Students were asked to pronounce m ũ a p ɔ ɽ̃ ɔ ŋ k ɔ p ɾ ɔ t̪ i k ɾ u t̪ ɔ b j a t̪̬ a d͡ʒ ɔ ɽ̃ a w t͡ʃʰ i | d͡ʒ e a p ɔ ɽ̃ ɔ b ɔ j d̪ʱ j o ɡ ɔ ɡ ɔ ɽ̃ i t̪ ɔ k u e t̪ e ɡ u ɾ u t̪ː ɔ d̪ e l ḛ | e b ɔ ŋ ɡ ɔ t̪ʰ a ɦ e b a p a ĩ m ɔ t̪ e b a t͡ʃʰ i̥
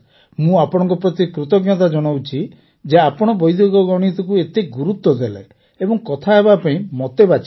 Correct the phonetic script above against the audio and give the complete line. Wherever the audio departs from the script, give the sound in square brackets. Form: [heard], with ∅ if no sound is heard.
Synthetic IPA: m ũ a p ɔ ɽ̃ ɔ ŋ k ɔ p ɾ ɔ t̪ i k ɾ u t̪ ɔ [ɡ] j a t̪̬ a d͡ʒ ɔ ɽ̃ a w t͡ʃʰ i | d͡ʒ e a p ɔ ɽ̃ ɔ b ɔ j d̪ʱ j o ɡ ɔ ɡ ɔ ɽ̃ i t̪ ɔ k u e t̪ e ɡ u ɾ u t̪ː ɔ d̪ e l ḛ | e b ɔ ŋ [k] ɔ t̪ʰ a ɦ e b a p a ĩ m ɔ t̪ e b a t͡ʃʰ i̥